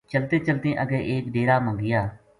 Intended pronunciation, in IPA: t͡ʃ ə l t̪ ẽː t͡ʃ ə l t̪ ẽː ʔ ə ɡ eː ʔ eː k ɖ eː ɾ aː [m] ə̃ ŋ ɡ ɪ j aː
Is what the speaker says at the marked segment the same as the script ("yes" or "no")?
yes